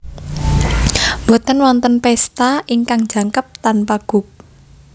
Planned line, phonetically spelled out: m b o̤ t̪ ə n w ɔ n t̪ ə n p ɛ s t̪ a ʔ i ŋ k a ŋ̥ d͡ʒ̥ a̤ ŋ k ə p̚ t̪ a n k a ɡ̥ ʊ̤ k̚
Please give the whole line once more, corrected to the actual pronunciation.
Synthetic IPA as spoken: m b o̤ t̪ ə n w ɔ n t̪ ə n p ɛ s t̪ a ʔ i ŋ k a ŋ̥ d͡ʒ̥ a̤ ŋ k ə p̚ t̪ a n p a ɡ̥ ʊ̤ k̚